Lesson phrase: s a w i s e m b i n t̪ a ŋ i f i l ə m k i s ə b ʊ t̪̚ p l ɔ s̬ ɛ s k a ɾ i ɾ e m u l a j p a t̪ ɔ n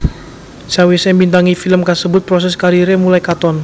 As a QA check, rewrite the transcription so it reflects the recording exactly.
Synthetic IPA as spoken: s a w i s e m b i n t̪ a ŋ i f i l ə m k a s ə b ʊ t̪̚ p ɾ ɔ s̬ ɛ s k a ɾ i ɾ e m u l a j k a t̪ ɔ n